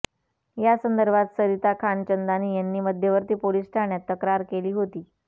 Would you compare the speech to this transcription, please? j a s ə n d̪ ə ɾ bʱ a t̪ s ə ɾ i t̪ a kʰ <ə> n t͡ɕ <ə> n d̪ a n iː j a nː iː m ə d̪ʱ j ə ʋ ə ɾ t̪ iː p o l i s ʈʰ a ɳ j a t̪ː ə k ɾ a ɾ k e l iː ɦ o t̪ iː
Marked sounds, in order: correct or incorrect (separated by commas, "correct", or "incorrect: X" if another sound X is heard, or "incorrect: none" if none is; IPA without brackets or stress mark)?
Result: incorrect: a, correct